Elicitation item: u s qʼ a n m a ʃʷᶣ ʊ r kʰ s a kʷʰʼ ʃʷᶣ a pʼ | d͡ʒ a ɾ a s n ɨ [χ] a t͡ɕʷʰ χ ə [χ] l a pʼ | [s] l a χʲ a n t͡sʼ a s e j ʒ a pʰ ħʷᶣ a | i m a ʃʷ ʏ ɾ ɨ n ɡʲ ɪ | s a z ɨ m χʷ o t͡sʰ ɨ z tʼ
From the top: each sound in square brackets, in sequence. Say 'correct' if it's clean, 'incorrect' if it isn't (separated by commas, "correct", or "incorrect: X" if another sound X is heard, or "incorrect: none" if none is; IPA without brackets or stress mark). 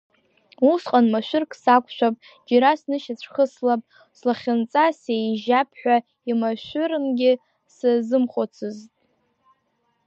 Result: incorrect: ʃ, incorrect: s, correct